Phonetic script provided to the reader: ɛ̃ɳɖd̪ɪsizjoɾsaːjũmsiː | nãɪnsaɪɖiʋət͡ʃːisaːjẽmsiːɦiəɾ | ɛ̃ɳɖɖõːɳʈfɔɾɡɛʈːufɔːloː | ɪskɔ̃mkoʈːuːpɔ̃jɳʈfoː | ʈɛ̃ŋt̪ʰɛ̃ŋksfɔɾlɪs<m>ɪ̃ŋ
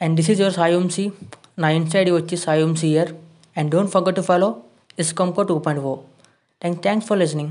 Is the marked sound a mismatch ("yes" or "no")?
yes